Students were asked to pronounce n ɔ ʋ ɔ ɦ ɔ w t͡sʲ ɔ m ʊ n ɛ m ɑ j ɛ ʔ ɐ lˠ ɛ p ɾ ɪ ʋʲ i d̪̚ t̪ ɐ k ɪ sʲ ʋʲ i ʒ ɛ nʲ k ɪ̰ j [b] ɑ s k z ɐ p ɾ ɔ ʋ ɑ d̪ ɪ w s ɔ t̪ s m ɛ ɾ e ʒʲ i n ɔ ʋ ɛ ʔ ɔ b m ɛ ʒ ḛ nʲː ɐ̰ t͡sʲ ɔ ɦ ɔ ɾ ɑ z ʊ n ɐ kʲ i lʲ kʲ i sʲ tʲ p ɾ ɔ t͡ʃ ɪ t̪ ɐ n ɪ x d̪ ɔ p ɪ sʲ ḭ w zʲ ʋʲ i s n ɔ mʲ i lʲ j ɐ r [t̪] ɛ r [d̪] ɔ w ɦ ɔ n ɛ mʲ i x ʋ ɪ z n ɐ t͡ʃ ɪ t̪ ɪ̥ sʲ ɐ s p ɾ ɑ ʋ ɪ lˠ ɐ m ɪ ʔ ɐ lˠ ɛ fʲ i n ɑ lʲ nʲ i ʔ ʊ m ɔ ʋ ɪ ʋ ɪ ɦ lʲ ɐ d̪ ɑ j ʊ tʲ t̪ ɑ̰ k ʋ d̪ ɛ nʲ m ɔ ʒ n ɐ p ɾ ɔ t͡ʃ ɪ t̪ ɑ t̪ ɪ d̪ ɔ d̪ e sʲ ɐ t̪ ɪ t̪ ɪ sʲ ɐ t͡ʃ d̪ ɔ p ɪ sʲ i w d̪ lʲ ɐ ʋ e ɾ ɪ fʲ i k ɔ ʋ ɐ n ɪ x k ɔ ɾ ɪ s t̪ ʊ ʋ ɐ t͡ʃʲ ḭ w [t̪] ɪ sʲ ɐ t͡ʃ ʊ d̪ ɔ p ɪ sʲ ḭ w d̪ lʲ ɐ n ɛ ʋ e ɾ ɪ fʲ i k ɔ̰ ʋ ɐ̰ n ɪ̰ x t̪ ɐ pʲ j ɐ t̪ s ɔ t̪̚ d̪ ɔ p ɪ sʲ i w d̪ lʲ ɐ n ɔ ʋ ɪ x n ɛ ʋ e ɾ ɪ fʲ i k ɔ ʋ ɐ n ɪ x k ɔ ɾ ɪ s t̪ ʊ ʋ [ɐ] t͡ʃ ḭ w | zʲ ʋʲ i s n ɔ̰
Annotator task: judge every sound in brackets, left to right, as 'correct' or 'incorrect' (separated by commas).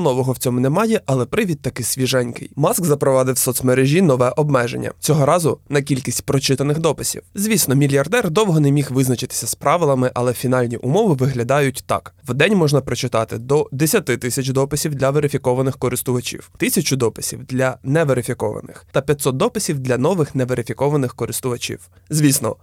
incorrect, incorrect, correct, correct, correct